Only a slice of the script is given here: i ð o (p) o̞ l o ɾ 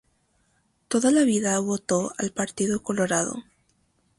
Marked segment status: incorrect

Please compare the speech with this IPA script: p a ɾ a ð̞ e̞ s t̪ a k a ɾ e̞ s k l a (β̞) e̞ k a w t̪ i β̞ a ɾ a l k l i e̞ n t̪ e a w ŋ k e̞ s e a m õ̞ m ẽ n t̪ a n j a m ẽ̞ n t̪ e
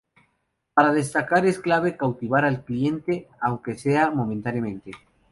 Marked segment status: correct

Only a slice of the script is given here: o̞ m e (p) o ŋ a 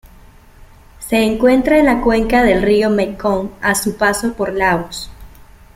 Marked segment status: incorrect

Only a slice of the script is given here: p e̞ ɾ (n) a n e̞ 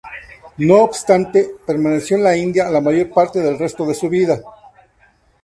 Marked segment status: incorrect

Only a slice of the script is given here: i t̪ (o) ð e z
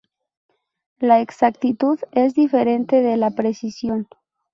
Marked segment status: incorrect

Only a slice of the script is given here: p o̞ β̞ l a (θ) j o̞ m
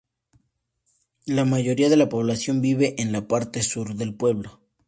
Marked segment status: incorrect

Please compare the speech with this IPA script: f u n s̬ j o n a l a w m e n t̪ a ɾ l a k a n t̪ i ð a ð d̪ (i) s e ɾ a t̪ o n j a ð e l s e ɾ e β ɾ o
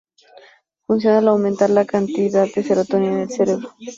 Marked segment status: incorrect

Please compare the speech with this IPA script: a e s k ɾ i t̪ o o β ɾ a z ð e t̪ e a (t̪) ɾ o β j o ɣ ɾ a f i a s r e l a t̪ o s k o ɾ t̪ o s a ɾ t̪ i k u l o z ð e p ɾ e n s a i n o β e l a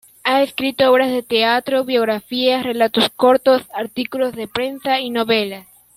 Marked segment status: correct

